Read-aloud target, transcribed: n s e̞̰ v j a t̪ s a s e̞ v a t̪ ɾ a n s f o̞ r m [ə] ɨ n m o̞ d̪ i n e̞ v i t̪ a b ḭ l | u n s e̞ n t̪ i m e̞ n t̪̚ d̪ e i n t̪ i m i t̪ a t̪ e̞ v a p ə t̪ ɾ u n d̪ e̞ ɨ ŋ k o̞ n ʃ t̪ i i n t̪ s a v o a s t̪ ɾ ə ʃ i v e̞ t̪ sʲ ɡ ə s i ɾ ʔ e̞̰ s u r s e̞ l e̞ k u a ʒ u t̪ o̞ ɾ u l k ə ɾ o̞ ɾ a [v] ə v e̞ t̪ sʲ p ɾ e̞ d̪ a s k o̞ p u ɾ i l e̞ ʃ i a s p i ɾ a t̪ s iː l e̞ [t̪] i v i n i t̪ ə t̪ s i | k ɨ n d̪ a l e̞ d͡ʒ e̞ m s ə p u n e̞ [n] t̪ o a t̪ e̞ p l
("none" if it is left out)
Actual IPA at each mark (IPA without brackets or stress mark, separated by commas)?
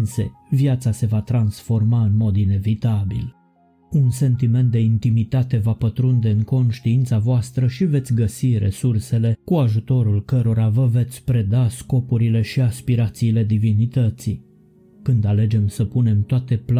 a, v, d̪, m